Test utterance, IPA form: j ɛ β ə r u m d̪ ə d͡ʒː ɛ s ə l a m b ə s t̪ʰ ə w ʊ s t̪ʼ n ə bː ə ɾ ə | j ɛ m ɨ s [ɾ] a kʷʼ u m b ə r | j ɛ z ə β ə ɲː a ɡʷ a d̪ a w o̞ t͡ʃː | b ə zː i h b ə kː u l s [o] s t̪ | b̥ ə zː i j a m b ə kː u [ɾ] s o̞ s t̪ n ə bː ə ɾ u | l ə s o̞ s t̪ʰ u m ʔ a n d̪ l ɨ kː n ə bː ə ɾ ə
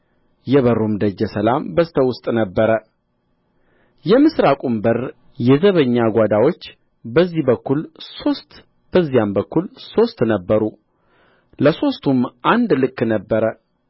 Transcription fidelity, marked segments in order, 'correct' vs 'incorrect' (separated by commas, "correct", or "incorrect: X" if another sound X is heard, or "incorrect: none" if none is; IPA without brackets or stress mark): correct, correct, incorrect: l